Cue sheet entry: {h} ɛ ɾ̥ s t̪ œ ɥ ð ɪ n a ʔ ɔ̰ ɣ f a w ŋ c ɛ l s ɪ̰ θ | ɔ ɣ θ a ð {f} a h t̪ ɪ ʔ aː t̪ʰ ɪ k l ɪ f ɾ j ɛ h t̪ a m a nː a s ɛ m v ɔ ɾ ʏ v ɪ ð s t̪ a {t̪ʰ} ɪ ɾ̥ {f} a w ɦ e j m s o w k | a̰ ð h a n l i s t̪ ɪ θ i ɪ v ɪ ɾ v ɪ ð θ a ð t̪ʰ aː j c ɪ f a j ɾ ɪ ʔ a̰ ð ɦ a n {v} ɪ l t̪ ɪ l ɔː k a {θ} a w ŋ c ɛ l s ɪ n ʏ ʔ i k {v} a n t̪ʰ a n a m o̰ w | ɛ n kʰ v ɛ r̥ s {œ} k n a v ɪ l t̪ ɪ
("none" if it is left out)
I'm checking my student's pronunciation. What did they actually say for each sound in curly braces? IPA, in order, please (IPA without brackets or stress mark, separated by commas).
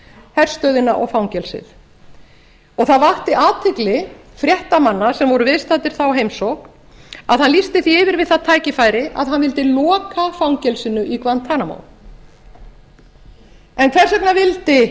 h, v, t̪, θ, v, f, v, ɛ